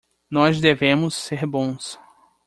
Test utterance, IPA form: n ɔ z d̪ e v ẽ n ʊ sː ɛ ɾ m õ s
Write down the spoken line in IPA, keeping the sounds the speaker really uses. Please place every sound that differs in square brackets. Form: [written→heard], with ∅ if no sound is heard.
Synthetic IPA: n ɔ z d̪ e v ẽ [n→m] ʊ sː [ɛ→e] ɾ [m→b] õ s